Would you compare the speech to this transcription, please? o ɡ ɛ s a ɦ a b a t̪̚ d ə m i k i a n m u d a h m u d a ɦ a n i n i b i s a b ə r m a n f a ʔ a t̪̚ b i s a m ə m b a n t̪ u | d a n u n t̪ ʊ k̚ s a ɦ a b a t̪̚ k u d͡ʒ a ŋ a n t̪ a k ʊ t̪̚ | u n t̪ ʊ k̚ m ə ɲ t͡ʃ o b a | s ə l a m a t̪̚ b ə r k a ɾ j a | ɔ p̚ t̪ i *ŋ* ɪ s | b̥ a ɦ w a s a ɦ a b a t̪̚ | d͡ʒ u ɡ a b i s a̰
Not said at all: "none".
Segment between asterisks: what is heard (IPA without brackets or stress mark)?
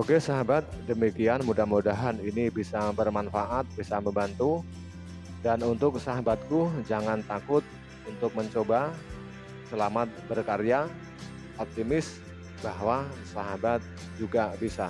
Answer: m